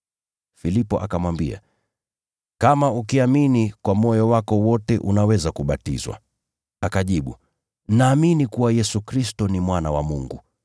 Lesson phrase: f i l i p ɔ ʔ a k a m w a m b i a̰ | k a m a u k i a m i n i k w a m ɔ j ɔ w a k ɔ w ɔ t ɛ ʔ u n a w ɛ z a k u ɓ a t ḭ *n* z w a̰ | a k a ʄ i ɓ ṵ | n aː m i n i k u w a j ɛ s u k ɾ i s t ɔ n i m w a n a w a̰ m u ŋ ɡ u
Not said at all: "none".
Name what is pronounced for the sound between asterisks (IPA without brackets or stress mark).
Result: none